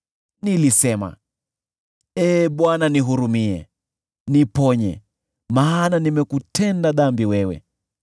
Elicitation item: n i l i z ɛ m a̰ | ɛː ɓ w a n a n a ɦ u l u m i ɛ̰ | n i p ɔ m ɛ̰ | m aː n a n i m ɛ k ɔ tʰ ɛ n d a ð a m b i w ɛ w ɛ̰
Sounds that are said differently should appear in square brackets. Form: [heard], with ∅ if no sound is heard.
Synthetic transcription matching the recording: n i l i [s] ɛ m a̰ | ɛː ɓ w a n a n [i] ɦ u [ɾ] u m i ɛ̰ | n i p ɔ [ɲ] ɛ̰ | m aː n a n i m ɛ k [u] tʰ ɛ n d a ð a m b i w ɛ w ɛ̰